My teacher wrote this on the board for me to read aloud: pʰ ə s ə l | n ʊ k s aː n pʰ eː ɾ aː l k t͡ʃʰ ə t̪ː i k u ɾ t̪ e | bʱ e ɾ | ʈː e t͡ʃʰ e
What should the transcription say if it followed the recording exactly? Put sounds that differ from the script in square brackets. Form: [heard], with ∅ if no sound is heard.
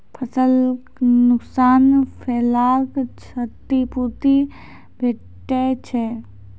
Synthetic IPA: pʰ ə s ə l | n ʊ k s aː n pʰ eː [l] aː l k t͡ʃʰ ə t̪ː i [p] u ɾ t̪ [i] | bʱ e [∅] | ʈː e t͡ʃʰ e